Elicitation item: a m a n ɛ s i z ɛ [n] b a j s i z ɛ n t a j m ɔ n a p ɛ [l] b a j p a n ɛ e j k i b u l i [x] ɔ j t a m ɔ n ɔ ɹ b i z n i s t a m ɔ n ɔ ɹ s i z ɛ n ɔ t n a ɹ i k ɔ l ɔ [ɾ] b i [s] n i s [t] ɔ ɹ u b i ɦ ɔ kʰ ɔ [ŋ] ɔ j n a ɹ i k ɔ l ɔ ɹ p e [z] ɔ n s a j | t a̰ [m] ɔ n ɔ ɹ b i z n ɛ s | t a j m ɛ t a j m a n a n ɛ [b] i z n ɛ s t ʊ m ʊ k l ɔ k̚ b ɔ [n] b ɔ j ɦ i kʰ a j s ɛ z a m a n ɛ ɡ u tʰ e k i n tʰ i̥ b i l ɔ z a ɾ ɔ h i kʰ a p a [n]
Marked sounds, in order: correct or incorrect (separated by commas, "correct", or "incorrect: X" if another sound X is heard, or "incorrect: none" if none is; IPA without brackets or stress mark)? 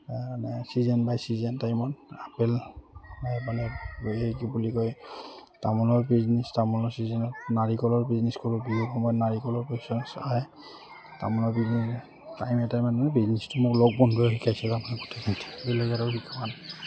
correct, correct, incorrect: k, incorrect: ɹ, incorrect: z, incorrect: k, incorrect: m, incorrect: s, correct, correct, correct, correct